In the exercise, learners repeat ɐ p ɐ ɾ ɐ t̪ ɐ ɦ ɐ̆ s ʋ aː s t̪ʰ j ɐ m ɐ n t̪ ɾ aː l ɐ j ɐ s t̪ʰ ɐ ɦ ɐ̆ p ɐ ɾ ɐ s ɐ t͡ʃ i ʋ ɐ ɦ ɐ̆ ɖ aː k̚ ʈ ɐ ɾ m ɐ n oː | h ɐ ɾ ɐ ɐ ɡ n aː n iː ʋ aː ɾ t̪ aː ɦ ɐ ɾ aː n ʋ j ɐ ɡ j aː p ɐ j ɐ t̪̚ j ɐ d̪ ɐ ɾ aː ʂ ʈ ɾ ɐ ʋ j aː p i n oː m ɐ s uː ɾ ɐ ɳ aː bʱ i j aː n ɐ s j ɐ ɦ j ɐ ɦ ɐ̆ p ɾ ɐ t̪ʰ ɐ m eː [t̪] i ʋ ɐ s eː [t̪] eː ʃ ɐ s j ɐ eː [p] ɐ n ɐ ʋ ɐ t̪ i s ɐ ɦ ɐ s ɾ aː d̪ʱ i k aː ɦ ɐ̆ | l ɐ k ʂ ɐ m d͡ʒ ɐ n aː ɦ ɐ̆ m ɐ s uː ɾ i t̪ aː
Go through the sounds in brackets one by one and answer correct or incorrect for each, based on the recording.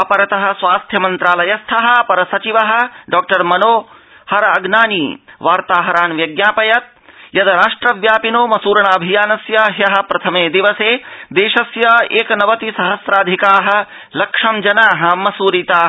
incorrect: d̪, incorrect: d̪, incorrect: k

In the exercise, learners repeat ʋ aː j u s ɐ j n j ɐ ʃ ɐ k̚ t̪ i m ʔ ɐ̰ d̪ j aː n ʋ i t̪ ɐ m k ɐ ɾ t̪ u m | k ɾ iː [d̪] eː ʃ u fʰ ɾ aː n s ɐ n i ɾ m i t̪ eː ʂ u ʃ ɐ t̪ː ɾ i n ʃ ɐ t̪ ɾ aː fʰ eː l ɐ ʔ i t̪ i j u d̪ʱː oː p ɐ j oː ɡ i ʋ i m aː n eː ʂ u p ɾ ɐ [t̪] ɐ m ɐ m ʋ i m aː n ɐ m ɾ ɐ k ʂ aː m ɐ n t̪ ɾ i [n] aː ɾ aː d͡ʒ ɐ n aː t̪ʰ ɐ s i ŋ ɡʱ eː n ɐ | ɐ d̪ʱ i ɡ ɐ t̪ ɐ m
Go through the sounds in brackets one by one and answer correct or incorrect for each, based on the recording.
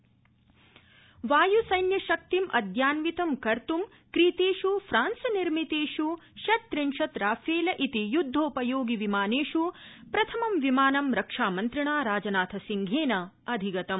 incorrect: t̪, incorrect: t̪ʰ, incorrect: ɳ

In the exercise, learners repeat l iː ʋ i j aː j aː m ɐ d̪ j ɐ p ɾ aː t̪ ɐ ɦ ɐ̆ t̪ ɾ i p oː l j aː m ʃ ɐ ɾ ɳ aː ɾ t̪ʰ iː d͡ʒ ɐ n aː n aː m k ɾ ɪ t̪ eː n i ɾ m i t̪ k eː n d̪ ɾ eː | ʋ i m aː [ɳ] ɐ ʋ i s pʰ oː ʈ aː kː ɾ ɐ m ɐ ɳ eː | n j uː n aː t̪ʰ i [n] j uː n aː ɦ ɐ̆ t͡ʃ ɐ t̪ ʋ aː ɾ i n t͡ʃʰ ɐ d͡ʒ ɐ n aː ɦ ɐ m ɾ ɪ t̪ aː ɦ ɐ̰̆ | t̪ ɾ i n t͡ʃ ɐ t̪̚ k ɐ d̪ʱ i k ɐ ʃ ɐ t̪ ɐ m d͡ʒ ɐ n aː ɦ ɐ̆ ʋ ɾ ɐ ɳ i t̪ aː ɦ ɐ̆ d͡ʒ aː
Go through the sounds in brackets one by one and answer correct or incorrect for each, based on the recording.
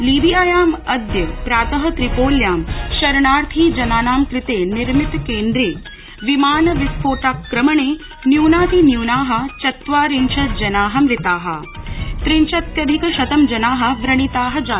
incorrect: n, correct

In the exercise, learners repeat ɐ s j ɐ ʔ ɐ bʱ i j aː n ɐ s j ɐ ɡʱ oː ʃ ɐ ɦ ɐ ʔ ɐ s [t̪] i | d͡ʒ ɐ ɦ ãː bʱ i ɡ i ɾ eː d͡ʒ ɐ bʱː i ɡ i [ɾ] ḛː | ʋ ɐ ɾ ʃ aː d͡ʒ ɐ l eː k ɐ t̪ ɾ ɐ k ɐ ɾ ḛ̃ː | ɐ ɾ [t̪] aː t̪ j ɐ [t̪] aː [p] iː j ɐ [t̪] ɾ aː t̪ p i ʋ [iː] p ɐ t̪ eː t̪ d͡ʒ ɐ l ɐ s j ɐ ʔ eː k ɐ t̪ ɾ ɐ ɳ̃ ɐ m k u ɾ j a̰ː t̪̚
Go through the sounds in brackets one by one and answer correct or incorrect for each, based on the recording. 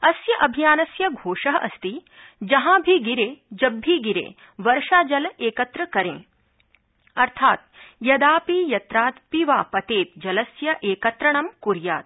correct, correct, incorrect: t̪ʰ, incorrect: d̪, correct, correct, incorrect: aː

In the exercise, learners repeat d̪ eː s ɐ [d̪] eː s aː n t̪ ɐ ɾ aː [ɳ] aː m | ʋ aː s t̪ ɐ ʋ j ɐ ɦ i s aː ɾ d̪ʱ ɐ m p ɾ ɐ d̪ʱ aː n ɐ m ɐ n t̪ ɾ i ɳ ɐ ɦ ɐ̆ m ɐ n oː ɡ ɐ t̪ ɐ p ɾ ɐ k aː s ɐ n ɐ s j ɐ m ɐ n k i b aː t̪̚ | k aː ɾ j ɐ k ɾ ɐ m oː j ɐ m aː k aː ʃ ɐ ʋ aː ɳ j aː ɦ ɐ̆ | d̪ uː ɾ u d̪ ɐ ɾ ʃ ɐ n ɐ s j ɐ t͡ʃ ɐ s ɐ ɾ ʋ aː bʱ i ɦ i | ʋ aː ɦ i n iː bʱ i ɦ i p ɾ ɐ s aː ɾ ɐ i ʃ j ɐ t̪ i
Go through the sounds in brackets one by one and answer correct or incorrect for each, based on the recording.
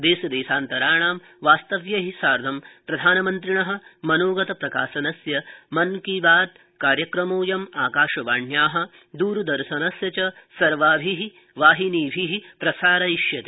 correct, correct

